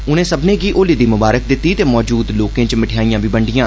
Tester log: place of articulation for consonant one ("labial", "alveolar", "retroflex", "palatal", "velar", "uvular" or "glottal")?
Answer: alveolar